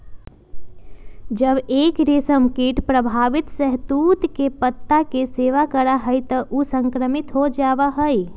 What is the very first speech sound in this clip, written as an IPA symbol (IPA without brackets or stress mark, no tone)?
d͡ʒ